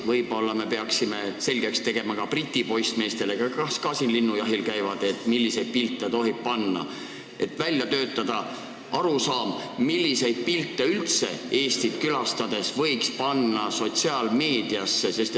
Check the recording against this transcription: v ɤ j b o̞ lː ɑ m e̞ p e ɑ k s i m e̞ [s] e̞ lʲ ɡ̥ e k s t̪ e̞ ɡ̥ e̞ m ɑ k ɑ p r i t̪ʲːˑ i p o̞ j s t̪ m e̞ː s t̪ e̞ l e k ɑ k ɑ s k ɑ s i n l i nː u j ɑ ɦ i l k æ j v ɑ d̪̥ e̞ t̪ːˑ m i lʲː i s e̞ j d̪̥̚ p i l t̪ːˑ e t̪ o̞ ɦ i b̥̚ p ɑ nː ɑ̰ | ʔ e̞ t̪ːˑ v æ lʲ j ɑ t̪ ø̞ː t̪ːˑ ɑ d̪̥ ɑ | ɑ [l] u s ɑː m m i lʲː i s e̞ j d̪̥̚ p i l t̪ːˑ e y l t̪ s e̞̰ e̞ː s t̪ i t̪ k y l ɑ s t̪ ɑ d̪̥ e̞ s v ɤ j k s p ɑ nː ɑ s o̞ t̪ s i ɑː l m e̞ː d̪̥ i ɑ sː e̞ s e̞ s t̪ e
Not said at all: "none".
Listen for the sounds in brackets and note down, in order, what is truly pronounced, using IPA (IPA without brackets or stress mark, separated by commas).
s, ɾ